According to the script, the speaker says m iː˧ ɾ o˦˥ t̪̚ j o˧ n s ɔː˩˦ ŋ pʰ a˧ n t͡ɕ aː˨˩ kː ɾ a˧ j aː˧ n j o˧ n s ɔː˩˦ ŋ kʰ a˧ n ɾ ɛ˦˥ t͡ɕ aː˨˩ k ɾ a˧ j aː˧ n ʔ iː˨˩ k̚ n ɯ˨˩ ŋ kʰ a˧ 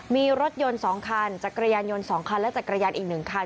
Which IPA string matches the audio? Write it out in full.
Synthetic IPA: m iː˧ ɾ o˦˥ t̪̚ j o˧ n s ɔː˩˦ ŋ kʰ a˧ n t͡ɕ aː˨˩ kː ɾ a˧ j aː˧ n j o˧ n s ɔː˩˦ ŋ kʰ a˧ n l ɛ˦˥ t͡ɕ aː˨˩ k ɾ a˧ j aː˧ n ʔ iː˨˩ k̚ n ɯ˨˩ ŋ kʰ a˧

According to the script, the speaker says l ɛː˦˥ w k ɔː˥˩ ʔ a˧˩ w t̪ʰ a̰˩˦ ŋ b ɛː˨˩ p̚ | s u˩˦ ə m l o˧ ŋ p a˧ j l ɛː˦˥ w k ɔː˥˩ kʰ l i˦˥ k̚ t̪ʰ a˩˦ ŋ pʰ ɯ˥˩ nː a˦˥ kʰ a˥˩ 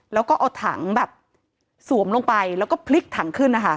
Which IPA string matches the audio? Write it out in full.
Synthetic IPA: l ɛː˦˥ w k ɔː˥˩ ʔ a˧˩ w t̪ʰ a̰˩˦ ŋ b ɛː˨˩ p̚ | s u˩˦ ə m l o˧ ŋ p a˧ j l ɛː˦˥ w k ɔː˥˩ pʰ l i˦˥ k̚ t̪ʰ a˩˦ ŋ kʰ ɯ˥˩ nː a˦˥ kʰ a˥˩

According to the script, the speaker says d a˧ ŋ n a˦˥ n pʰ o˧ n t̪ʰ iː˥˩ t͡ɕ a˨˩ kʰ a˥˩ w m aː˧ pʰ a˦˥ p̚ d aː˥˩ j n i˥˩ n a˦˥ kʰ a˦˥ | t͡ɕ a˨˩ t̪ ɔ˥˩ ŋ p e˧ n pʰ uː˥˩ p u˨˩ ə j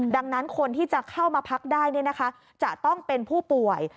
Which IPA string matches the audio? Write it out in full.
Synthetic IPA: d a˧ ŋ n a˦˥ n kʰ o˧ n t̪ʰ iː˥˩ t͡ɕ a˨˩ kʰ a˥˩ w m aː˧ pʰ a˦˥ k̚ d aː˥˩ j n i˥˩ n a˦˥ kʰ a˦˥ | t͡ɕ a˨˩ t̪ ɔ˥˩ ŋ p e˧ n pʰ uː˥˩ p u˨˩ ə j

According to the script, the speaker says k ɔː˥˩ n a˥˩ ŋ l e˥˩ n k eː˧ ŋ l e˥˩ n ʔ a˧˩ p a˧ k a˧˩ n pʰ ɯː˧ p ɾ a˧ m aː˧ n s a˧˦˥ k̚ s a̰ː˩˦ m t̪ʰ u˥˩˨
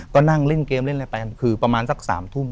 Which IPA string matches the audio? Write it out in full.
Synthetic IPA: k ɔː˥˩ n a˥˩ ŋ l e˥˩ n k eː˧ m l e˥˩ n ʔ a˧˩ p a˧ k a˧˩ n kʰ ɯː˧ p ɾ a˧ m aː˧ n s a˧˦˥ k̚ s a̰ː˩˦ m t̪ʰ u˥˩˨

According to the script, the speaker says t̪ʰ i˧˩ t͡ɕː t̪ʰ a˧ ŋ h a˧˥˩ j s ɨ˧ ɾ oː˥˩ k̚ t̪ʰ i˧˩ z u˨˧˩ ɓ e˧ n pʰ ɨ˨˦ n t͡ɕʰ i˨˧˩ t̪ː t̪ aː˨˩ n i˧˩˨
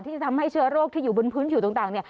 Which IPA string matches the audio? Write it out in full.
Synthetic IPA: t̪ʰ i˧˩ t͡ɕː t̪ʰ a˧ m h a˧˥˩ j s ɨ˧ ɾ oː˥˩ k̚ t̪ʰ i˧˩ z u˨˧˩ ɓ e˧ n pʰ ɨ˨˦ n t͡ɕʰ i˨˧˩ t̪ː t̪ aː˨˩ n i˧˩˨

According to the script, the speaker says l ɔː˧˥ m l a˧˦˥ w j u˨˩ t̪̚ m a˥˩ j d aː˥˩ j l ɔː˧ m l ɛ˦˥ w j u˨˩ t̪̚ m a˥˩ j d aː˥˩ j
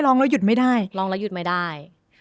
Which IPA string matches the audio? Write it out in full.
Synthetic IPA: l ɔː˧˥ ŋ l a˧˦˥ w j u˨˩ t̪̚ m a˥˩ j d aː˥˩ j l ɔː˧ ŋ l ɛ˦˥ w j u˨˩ t̪̚ m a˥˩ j d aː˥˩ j

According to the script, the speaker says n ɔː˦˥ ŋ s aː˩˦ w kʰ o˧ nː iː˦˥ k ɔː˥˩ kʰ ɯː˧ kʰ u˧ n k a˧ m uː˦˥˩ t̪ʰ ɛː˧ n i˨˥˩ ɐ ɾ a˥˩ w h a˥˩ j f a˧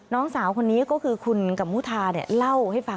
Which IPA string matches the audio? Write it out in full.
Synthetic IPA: n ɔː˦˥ ŋ s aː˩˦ w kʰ o˧ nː iː˦˥ k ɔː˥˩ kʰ ɯː˧ kʰ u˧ n k a˨˩ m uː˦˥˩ t̪ʰ aː˧ n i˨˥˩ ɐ l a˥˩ w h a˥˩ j f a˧

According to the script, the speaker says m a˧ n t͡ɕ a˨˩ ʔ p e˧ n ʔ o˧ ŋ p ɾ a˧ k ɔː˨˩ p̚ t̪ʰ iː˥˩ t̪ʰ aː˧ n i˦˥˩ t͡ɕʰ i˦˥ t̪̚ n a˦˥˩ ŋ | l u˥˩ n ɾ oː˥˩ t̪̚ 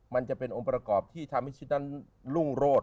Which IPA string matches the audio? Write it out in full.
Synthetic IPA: m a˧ n t͡ɕ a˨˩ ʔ p e˧ n ʔ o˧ ŋ p ɾ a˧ k ɔː˨˩ p̚ t̪ʰ iː˥˩ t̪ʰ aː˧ m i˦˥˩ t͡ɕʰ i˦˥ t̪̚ n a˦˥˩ n | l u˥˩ ŋ ɾ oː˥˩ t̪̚

